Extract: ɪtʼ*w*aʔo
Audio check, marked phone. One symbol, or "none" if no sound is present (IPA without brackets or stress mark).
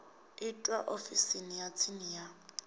w